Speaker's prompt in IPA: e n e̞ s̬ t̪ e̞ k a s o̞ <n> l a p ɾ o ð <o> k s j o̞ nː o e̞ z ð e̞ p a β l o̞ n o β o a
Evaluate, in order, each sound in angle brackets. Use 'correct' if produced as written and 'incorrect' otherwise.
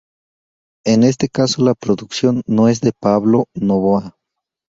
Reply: incorrect: none, incorrect: u

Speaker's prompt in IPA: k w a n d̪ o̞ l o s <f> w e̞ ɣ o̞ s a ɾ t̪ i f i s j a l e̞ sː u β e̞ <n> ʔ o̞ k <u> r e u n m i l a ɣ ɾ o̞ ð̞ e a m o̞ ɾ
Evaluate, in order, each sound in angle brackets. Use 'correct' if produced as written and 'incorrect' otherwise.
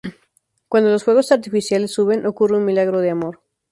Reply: incorrect: x, correct, correct

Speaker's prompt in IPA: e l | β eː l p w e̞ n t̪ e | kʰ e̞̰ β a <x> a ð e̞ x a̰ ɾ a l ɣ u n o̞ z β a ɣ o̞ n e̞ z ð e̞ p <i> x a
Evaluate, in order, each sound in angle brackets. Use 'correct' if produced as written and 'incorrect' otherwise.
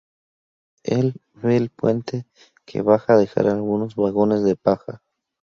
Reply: correct, incorrect: a

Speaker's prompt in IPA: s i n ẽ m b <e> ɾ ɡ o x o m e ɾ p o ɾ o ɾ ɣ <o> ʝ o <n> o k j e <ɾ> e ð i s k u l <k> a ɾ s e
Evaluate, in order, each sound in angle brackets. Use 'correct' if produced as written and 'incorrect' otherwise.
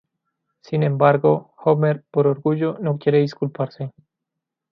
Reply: incorrect: a, incorrect: u, correct, correct, incorrect: p

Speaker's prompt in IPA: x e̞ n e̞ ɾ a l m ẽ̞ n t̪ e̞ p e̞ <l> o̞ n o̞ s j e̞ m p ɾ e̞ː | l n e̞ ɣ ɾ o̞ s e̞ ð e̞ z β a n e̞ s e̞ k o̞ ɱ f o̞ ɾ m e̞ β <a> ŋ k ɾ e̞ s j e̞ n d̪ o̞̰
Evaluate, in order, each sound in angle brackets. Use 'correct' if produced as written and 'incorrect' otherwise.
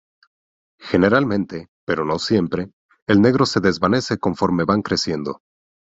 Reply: incorrect: ɾ, correct

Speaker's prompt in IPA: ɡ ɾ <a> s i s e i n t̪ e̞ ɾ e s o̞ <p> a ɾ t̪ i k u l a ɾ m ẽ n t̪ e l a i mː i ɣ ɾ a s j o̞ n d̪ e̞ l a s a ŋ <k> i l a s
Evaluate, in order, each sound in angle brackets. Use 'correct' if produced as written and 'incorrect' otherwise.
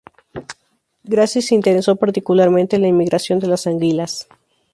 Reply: correct, correct, incorrect: ɡ

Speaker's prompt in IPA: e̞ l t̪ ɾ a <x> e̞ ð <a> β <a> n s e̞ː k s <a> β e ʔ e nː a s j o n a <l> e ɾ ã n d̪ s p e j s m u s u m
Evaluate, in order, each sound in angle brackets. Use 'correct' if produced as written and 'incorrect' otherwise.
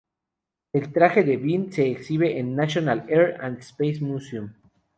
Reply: correct, incorrect: e, incorrect: i, incorrect: i, correct

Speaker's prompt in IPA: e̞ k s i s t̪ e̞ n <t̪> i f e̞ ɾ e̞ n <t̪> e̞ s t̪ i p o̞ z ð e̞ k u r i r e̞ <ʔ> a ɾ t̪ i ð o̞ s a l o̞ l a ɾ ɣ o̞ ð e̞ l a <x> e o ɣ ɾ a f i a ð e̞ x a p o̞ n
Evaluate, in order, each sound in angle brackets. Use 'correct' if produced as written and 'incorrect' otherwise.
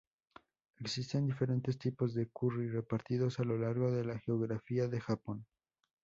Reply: incorrect: d̪, correct, incorrect: p, correct

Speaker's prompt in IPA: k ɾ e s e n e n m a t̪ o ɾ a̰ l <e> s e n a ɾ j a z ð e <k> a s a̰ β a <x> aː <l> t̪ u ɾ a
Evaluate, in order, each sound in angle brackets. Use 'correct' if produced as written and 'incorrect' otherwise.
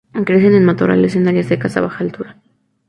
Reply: correct, correct, correct, correct

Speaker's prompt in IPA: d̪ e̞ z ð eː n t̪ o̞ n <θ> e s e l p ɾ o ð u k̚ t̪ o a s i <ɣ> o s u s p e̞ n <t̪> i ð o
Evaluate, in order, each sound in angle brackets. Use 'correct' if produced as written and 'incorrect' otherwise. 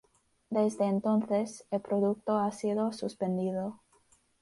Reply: correct, incorrect: ð, incorrect: d̪

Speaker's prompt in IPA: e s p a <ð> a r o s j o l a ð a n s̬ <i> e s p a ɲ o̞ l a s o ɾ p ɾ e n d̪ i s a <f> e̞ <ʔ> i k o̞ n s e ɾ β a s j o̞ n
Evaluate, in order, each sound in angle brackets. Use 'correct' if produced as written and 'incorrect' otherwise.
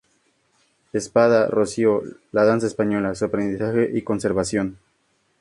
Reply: correct, incorrect: a, incorrect: x, correct

